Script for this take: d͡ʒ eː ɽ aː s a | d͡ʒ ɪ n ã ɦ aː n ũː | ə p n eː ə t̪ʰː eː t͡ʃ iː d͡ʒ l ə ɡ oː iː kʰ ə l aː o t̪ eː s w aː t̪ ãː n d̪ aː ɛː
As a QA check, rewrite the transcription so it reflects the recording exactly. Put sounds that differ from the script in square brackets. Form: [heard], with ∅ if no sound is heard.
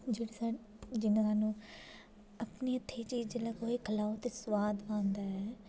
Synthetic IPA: d͡ʒ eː ɽ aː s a | d͡ʒ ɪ n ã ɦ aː n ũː | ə p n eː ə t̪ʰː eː t͡ʃ iː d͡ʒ l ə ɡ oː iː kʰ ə l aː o t̪ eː s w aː [d̪] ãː n d̪ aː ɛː